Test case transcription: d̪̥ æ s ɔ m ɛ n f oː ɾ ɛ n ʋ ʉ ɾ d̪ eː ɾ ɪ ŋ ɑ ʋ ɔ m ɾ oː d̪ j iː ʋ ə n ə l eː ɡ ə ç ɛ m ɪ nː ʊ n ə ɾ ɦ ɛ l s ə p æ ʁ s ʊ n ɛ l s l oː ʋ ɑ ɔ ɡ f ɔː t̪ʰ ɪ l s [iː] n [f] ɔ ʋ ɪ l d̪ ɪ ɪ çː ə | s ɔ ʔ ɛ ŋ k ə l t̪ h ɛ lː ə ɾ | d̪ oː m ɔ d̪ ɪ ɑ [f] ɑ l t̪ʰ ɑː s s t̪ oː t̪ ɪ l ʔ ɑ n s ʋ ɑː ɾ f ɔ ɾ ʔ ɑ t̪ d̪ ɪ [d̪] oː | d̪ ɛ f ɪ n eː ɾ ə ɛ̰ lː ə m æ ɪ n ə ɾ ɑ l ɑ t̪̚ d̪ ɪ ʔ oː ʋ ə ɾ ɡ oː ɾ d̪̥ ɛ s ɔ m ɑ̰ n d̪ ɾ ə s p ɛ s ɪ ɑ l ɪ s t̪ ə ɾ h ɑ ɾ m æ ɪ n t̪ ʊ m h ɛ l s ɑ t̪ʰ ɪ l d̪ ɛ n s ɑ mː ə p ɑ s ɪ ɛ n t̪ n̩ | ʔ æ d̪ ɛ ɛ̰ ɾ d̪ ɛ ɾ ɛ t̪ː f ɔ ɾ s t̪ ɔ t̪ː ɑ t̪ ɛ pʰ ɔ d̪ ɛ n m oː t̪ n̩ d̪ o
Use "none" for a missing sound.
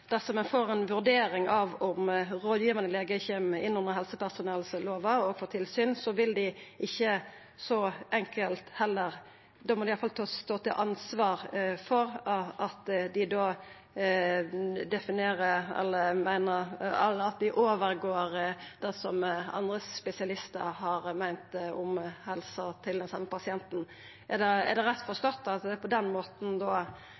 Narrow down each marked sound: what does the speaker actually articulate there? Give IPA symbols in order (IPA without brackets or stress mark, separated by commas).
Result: yː, s, f, d̪